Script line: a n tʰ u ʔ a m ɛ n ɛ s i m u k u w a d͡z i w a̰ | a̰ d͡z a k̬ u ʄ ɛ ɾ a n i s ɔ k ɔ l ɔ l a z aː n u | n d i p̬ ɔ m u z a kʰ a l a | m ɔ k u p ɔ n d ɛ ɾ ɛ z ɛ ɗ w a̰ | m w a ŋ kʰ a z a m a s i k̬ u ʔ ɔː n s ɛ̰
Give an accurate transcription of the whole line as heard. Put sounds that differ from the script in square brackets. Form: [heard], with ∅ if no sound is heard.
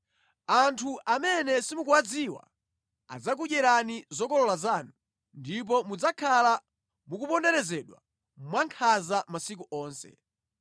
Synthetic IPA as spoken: a n tʰ u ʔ a m ɛ n ɛ s i m u k u w a d͡z i w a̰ | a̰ d͡z a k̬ u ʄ ɛ ɾ a n i [z] ɔ k ɔ l ɔ l a z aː n u | n d i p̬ ɔ m u [d͡z] a kʰ a l a | m [u] k u p ɔ n d ɛ ɾ ɛ z ɛ ɗ w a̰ | m w a ŋ kʰ a z a m a s i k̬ u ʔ ɔː n s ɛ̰